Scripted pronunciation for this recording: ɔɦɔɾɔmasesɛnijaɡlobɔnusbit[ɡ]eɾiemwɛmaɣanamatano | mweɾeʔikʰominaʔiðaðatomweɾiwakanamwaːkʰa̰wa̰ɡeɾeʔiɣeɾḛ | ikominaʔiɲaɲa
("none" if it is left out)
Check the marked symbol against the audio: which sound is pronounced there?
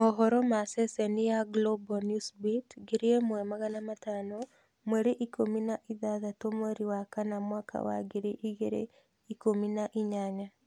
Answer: ɡ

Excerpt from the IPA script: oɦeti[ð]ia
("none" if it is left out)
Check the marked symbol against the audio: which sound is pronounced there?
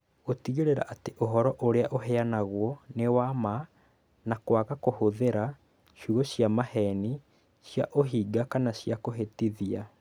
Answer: ð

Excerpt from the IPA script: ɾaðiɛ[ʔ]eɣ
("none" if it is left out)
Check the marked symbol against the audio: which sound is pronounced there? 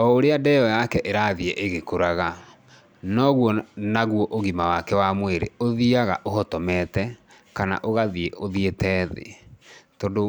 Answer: ʔ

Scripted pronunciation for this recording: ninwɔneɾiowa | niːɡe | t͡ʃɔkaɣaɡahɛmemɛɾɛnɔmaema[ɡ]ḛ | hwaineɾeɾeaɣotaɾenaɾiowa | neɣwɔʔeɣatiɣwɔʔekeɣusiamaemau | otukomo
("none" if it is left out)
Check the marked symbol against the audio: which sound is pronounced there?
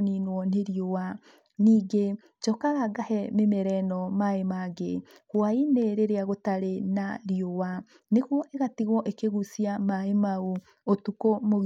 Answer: ɡ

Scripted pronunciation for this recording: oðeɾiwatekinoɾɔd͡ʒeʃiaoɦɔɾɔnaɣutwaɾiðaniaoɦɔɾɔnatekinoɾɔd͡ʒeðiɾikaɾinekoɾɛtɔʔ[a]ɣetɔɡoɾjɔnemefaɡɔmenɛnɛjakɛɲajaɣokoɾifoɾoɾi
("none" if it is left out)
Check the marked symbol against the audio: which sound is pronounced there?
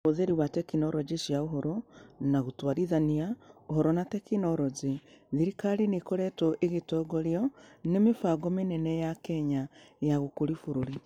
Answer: e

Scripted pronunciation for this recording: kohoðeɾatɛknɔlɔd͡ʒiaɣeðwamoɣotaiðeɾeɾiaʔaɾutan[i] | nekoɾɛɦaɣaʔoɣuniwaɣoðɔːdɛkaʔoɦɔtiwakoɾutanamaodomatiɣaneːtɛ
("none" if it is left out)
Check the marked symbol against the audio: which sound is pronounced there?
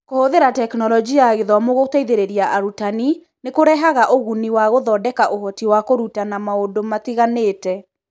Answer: i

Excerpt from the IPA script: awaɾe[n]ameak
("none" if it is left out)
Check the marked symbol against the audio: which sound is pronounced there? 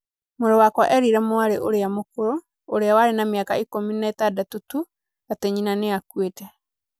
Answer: n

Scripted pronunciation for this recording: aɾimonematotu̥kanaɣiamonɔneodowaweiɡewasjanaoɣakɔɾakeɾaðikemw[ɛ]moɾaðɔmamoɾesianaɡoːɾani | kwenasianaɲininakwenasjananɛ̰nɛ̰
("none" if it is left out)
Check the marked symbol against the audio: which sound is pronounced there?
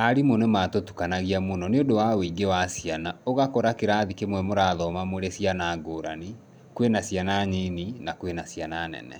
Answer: ɛ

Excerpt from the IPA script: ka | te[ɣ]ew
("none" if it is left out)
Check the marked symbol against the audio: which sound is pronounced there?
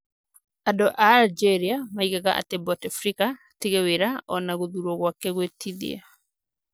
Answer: ɣ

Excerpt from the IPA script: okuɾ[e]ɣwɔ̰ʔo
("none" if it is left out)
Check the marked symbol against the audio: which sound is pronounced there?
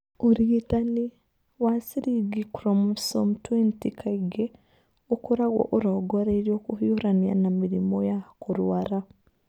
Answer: a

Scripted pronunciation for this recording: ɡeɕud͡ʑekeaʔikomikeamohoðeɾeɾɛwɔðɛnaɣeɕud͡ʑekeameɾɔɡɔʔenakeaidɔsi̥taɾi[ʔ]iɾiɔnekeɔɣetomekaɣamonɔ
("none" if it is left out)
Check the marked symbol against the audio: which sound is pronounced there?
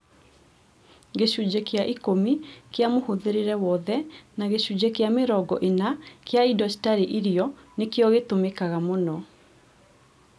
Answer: ʔ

